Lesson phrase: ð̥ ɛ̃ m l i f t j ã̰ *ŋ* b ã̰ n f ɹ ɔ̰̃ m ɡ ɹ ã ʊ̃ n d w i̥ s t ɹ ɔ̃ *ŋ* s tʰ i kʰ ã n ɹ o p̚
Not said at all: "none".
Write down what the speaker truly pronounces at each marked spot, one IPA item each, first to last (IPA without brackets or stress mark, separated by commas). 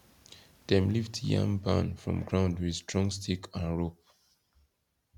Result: ŋ, ŋ